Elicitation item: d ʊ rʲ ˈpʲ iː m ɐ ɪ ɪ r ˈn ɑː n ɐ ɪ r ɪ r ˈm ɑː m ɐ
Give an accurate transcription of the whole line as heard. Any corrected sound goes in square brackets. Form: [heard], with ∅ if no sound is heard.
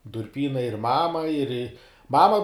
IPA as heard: d ʊ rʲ ˈpʲ iː [n] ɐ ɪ ɪ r [ˈm] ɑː [m] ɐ ɪ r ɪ [∅] ˈm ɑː m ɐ